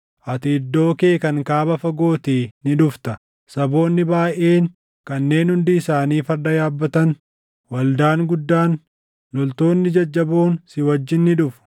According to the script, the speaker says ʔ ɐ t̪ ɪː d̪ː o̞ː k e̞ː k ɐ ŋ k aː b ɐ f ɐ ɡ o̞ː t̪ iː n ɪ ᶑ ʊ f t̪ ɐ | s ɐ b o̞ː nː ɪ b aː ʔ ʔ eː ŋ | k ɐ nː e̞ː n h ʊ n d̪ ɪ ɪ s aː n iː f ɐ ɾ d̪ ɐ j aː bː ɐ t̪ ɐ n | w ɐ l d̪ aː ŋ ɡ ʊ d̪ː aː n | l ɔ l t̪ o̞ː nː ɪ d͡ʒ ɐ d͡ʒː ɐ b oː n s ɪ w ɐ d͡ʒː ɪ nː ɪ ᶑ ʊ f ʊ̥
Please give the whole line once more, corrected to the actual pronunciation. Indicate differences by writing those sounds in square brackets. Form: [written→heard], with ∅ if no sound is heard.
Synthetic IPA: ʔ ɐ t̪ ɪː d̪ː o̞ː k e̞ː k ɐ ŋ k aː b ɐ f ɐ ɡ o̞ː t̪ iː n ɪ ᶑ ʊ f t̪ ɐ | s ɐ b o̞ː nː ɪ b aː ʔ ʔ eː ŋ | k ɐ nː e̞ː n h ʊ n d̪ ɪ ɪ s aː n iː f ɐ ɾ d̪ ɐ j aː bː ɐ t̪ ɐ n | w ɐ l d̪ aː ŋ ɡ ʊ d̪ː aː n | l ɔ l t̪ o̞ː nː ɪ d͡ʒ ɐ d͡ʒː ɐ b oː n s ɪ w ɐ d͡ʒː ɪ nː ɪ ᶑ ʊ f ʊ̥